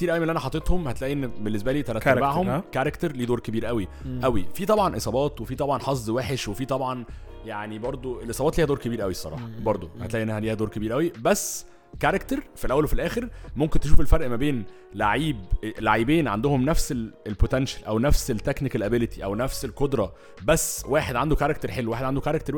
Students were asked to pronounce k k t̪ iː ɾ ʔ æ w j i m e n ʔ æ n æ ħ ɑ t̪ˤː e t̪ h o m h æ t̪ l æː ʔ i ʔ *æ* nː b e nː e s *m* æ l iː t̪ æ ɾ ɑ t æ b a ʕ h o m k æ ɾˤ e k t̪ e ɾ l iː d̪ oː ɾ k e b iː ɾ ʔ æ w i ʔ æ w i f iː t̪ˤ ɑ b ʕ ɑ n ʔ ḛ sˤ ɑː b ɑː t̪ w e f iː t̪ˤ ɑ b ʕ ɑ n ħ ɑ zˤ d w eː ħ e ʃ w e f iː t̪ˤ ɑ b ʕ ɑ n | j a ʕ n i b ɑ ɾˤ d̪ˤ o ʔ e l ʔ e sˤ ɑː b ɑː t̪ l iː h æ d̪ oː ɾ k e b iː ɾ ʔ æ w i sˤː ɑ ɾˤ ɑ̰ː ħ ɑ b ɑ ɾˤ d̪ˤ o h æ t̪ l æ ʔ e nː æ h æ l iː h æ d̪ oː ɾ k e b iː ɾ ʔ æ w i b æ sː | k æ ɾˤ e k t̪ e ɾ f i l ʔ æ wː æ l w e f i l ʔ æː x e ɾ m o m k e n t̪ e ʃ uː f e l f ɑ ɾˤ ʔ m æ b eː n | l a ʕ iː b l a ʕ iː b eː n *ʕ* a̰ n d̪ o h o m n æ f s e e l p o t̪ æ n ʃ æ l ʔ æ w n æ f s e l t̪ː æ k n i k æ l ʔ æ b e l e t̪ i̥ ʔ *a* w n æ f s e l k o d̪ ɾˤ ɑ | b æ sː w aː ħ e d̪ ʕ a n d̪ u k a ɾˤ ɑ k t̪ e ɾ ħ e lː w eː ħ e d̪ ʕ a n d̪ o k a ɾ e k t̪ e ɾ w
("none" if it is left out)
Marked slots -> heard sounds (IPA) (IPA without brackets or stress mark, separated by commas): e, b, ʕ, æ